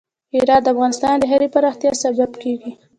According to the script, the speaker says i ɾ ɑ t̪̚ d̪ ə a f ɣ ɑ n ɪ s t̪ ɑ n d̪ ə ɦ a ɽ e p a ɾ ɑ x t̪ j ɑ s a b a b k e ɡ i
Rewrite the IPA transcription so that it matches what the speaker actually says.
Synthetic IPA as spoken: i ɾ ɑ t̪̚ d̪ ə a f ɣ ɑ n ɪ s t̪ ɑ n d̪ ə ɦ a ɾ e p a ɾ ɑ x t̪ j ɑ s a b a b k e ɡ i